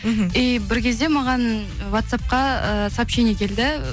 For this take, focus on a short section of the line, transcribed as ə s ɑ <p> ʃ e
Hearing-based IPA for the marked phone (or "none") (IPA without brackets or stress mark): p